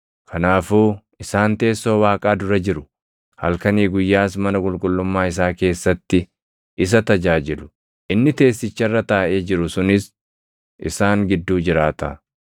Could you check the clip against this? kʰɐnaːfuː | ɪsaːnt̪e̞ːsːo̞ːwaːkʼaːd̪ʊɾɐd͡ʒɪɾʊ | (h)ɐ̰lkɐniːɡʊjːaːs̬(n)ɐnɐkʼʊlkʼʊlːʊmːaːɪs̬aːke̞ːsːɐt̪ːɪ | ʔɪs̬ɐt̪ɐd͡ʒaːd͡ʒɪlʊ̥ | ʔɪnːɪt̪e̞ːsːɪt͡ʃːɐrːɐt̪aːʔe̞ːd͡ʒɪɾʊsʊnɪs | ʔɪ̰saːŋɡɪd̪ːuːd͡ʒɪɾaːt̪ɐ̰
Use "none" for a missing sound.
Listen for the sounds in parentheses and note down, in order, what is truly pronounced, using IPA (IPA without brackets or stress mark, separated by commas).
h, m